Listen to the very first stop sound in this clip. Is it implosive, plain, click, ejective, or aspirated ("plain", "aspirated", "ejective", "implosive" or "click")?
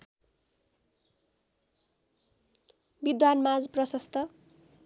plain